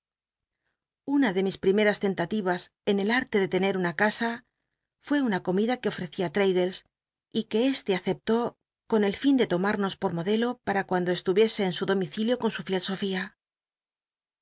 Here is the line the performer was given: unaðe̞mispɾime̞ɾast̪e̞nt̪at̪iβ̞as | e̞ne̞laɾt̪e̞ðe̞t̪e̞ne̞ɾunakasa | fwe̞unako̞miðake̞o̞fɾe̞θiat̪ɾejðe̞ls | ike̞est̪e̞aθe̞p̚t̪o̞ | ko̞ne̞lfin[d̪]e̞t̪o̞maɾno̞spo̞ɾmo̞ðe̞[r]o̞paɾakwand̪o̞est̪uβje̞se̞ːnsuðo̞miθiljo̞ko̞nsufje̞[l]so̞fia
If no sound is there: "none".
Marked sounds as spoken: d̪, l, l

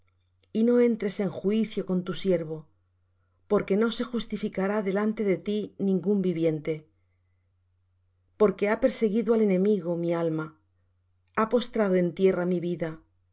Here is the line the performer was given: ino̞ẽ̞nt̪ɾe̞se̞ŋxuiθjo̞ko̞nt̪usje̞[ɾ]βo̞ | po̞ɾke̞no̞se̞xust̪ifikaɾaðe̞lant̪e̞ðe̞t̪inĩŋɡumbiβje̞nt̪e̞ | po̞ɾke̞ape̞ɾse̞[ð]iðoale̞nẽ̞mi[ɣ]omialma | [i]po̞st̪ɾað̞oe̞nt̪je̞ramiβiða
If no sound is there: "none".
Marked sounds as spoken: ɾ, ɣ, ɣ, a

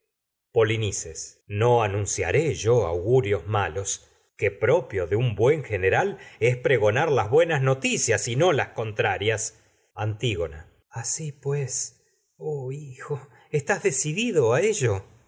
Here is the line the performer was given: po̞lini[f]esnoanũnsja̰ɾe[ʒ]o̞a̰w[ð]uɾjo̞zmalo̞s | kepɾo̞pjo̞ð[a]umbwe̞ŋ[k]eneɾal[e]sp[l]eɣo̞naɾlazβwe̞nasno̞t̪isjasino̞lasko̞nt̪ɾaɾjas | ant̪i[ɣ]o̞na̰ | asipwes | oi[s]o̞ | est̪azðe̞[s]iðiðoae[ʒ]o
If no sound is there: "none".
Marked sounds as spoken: s, ʒ, ɣ, e, x, e, ɾ, ɣ, x, s, ʒ

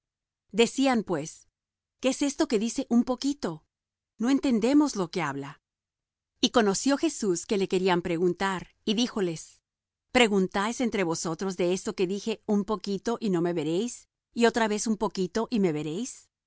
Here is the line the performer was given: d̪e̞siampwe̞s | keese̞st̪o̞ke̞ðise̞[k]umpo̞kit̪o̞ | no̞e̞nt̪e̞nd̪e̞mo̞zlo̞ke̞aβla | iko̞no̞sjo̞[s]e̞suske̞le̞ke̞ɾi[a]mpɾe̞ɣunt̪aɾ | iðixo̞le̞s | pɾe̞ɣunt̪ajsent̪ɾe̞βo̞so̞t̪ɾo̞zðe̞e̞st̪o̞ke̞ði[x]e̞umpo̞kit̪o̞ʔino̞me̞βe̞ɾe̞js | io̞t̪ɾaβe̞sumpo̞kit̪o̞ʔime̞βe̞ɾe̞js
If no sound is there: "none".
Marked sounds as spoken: ʔ, x, a, x

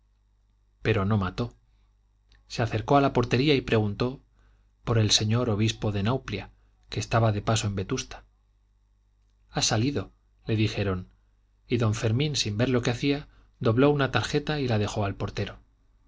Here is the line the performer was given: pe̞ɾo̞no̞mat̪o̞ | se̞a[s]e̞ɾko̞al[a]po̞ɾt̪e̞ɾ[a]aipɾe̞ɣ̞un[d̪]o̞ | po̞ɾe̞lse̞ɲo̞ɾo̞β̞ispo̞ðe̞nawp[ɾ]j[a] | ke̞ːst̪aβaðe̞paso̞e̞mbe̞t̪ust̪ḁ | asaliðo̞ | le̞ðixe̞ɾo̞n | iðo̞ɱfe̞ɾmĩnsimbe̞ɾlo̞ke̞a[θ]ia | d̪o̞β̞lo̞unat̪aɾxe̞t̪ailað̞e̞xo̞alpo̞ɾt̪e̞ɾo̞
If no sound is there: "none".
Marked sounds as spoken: θ, a, i, t̪, l, a, θ

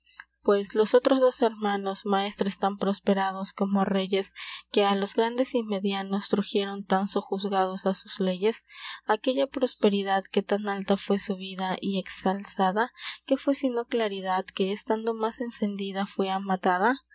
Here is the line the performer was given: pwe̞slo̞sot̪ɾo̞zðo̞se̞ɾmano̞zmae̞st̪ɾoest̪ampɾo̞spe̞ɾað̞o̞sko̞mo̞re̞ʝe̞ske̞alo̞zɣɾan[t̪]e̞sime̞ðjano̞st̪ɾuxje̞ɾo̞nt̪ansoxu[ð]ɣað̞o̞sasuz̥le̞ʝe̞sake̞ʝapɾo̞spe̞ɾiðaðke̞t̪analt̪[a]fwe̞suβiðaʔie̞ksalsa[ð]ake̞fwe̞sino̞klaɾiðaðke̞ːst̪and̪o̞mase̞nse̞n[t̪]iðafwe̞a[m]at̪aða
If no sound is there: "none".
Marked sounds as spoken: d̪, z, a, ð, d̪, m

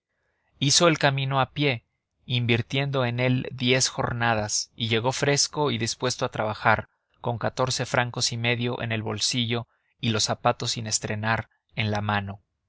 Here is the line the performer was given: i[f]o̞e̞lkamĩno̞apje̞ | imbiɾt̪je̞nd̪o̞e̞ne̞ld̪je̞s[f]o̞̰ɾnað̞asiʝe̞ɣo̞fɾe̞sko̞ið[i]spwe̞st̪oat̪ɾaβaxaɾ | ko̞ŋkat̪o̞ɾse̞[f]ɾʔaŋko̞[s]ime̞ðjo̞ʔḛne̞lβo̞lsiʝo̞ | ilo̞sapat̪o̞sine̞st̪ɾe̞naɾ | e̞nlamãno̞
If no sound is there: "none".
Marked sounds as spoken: s, x, i, f, s

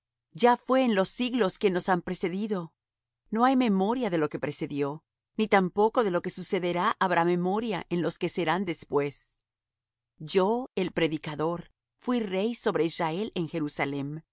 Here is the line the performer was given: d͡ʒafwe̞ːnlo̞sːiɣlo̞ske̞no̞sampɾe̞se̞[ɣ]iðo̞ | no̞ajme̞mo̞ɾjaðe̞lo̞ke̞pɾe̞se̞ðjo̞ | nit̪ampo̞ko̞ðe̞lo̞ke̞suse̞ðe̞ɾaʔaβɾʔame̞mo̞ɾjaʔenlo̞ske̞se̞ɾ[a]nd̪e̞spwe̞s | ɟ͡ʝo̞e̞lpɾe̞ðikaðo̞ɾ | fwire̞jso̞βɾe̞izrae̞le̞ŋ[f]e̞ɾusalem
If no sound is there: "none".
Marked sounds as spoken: ð, a, x

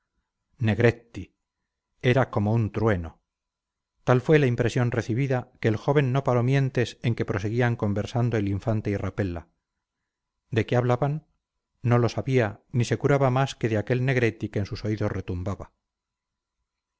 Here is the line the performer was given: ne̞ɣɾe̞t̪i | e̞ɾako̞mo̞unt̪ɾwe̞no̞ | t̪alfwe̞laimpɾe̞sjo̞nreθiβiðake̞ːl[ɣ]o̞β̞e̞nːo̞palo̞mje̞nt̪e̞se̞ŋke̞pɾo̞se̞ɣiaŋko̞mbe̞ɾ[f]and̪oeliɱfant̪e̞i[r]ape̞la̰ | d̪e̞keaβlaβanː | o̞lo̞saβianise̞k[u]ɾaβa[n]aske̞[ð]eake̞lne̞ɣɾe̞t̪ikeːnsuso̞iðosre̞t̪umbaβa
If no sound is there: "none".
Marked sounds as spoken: x, s, r, u, m, ð

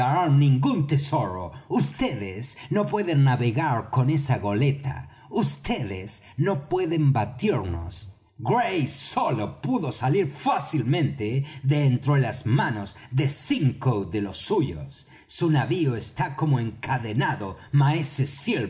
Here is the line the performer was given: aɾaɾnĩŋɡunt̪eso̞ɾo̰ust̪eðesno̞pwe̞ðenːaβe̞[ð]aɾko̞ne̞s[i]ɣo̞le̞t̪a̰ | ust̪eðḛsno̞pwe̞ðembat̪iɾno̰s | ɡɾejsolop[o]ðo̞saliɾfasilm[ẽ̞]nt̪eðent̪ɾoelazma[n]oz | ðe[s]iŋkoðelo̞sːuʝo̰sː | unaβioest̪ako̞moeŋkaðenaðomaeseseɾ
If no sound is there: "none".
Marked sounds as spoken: ɣ, a, u, ẽ̞, n, s

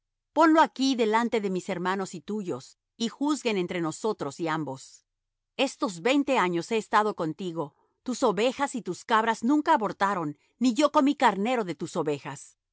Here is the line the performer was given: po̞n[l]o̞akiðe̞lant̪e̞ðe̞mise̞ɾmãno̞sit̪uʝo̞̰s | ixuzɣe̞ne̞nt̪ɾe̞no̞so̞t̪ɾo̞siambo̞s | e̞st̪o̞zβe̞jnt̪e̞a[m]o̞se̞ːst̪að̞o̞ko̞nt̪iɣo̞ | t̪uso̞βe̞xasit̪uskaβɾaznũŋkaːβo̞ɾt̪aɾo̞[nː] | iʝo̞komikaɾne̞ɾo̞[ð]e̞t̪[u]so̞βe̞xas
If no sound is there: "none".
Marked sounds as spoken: l, ɲ, nː, ð, u

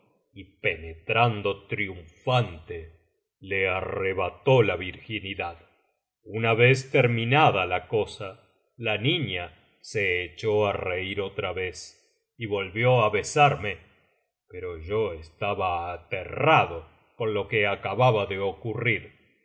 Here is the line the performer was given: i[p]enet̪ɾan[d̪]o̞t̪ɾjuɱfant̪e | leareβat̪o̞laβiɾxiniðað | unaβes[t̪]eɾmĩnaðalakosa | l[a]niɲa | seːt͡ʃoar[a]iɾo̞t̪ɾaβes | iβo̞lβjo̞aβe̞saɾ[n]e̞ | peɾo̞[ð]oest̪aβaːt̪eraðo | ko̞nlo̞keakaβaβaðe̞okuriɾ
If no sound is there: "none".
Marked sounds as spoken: p, d̪, t̪, a, e, m, ʒ

